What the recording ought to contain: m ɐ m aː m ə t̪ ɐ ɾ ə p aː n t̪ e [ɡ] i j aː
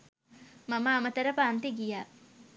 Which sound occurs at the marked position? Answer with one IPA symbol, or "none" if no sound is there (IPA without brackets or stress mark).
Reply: ɡ